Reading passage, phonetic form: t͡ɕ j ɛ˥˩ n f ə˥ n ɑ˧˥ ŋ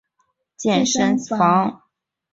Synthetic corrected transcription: t͡ɕ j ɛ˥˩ n ʂ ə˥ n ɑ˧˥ ŋ